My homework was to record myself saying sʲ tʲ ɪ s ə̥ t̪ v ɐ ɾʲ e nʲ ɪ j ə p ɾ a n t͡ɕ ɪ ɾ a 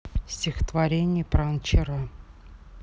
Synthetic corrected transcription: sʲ tʲ ɪ x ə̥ t̪ v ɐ ɾʲ e nʲ ɪ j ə p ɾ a n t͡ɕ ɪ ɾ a